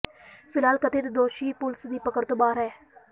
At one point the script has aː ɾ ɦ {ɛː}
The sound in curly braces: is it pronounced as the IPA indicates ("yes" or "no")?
yes